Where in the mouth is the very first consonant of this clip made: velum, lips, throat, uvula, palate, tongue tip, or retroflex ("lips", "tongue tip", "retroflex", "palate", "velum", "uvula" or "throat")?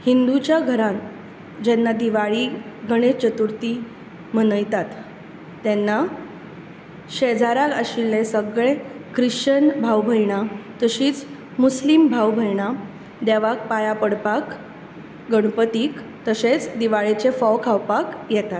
throat